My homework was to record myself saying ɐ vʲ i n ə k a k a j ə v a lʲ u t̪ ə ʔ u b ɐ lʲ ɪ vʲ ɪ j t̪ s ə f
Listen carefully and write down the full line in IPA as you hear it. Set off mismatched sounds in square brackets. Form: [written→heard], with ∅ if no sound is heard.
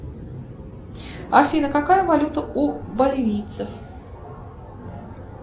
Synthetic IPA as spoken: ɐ [vʲ→fʲ] i n ə k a k a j ə v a lʲ u t̪ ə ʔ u b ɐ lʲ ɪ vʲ [ɪ→i] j t̪ s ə f